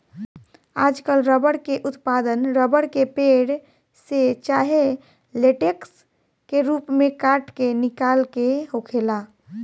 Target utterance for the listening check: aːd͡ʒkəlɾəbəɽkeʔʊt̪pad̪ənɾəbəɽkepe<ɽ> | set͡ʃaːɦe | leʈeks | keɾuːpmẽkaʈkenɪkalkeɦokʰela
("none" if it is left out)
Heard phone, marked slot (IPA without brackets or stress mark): ɽ